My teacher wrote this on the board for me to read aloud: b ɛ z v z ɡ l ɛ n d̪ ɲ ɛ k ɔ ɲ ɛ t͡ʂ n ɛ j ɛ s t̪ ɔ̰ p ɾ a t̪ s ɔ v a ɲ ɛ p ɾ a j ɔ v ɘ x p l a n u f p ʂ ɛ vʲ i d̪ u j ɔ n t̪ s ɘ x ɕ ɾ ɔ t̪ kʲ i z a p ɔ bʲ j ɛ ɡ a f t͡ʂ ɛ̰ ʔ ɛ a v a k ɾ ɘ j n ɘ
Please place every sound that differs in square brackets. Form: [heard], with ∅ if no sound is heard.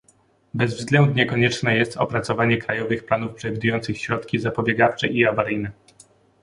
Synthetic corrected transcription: b ɛ z v z ɡ l ɛ n d̪ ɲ ɛ k ɔ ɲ ɛ t͡ʂ n ɛ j ɛ s t̪ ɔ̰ p ɾ a t̪ s ɔ v a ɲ ɛ [k] ɾ a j ɔ v ɘ x p l a n u f p ʂ ɛ vʲ i d̪ u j ɔ n t̪ s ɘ x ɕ ɾ ɔ t̪ kʲ i z a p ɔ bʲ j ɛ ɡ a f t͡ʂ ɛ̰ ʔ [i] a v a [∅] ɾ ɘ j n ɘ

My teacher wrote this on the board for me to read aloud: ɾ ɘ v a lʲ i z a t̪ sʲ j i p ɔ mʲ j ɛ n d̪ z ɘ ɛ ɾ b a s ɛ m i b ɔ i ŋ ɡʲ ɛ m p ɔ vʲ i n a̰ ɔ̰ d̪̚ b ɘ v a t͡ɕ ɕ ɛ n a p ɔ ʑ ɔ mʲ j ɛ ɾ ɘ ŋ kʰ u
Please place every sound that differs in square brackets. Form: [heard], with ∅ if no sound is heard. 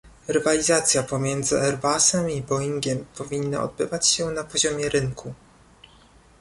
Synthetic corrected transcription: ɾ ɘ v a lʲ i z a t̪ sʲ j [a] p ɔ mʲ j ɛ n d̪ z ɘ ɛ ɾ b a s ɛ m i b ɔ i ŋ ɡʲ ɛ m p ɔ vʲ i [nː] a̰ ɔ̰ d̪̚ b ɘ v a t͡ɕ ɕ ɛ n a p ɔ ʑ ɔ mʲ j ɛ ɾ ɘ ŋ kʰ u

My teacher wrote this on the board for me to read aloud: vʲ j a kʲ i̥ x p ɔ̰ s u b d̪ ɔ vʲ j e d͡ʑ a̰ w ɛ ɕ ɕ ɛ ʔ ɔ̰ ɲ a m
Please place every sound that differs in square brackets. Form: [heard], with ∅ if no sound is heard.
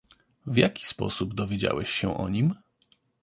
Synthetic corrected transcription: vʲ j a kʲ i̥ [s] p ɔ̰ s u b d̪ ɔ vʲ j e d͡ʑ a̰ w ɛ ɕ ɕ ɛ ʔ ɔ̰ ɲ [i] m

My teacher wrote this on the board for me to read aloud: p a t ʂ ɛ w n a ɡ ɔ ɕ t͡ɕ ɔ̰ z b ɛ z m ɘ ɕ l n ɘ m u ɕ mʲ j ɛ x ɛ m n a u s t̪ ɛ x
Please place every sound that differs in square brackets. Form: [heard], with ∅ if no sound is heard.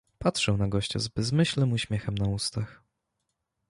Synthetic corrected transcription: p a t ʂ ɛ w n a ɡ ɔ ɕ t͡ɕ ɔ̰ z b ɛ z m ɘ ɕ l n ɘ m u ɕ mʲ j ɛ x ɛ m n a u s t̪ [a] x

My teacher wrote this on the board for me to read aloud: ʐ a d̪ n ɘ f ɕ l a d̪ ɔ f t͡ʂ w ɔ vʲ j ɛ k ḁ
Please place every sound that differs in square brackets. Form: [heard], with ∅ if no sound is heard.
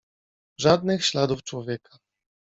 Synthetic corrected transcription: ʐ a d̪ n ɘ [x] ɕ l a d̪ [u] f t͡ʂ w ɔ vʲ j ɛ k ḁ

